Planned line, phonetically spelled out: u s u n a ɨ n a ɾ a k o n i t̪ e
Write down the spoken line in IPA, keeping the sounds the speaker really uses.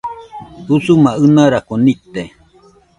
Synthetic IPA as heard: u s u m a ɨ n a ɾ a k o n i t̪ e